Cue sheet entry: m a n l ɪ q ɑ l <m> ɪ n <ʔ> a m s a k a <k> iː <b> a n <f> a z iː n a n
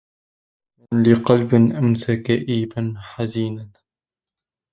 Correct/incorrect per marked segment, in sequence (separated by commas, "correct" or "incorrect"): incorrect, correct, incorrect, correct, incorrect